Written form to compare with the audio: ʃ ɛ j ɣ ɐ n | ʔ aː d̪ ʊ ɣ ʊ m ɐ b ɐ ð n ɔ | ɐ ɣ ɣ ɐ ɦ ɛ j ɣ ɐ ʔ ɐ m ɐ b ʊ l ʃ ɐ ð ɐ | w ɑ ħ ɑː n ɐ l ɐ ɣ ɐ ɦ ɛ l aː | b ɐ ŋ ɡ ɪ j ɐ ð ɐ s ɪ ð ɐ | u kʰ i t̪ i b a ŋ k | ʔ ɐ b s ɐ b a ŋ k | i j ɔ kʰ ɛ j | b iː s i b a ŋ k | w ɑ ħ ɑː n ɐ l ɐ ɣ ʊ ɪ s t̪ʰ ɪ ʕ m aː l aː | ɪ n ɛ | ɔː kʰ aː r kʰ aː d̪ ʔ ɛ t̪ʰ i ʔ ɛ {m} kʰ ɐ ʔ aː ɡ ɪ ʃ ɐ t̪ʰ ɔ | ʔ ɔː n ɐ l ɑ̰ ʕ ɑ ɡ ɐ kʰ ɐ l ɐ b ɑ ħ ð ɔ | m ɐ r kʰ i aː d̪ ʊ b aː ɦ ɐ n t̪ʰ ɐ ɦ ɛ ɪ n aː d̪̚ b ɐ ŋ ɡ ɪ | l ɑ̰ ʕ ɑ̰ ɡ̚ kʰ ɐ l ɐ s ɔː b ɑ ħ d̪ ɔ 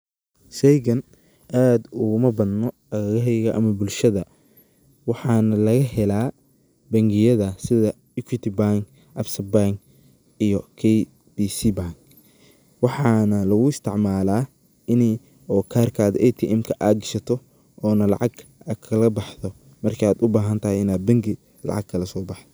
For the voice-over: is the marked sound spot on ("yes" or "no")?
yes